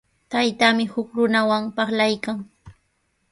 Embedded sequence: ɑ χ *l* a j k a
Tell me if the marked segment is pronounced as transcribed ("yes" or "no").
yes